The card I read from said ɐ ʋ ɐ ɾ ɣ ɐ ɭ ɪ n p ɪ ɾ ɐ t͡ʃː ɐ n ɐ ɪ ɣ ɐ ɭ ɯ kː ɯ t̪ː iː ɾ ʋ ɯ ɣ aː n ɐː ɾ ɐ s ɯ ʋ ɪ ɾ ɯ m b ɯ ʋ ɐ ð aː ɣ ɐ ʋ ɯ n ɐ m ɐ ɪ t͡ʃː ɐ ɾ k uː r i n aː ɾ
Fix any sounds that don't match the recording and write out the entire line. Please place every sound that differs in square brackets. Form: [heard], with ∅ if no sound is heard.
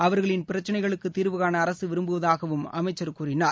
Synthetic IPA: ɐ ʋ ɐ ɾ ɣ ɐ ɭ ɪ n p ɪ ɾ ɐ t͡ʃː ɐ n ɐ ɪ ɣ ɐ ɭ ɯ kː ɯ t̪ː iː ɾ ʋ ɯ ɣ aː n ɐː ɾ ɐ s ɯ ʋ ɪ ɾ ɯ m b ɯ ʋ ɐ ð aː ɣ ɐ ʋ ɯ [m] ɐ m ɐ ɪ t͡ʃː ɐ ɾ k uː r [ɪ] n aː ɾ